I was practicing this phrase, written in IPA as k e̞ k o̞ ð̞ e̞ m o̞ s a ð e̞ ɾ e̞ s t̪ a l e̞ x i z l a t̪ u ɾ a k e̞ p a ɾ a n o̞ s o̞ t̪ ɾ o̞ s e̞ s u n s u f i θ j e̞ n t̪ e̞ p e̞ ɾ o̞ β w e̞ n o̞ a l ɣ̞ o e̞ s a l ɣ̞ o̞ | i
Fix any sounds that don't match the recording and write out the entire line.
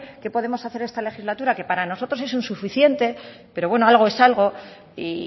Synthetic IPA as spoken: k e̞ p o̞ ð̞ e̞ m o̞ s a θ e̞ ɾ e̞ s t̪ a l e̞ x i z l a t̪ u ɾ a k e̞ p a ɾ a n o̞ s o̞ t̪ ɾ o̞ s e̞ s u n s u f i θ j e̞ n t̪ e̞ p e̞ ɾ o̞ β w e̞ n o̞ a l ɣ̞ o e̞ s a l ɣ̞ o̞ | i